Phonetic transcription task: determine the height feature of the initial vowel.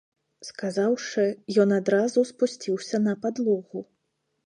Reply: low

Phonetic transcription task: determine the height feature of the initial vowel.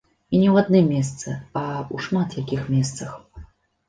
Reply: high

